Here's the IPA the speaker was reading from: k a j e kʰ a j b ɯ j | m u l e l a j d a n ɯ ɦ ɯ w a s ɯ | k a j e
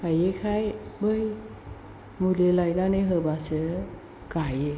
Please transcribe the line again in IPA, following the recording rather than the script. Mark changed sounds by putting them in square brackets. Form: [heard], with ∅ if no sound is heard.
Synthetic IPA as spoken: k a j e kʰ a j b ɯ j | m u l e l a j [n] a n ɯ ɦ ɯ [b] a s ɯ | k a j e